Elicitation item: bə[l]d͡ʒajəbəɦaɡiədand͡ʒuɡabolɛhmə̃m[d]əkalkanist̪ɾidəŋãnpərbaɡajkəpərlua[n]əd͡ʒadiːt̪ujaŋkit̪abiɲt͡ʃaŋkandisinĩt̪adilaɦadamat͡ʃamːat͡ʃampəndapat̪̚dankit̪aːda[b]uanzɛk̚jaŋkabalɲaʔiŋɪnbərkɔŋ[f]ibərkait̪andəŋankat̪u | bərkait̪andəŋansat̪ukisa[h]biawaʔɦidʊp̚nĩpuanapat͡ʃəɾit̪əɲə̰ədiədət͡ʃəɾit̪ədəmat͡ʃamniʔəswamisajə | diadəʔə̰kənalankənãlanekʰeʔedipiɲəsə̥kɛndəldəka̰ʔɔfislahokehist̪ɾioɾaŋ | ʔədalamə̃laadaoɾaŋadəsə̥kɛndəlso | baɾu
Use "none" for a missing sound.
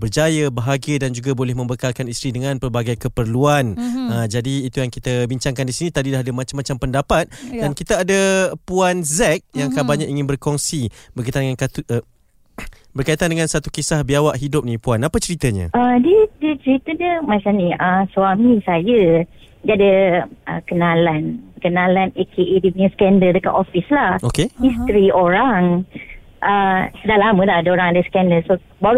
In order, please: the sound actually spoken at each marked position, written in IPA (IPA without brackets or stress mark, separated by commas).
r, b, n, p, s, h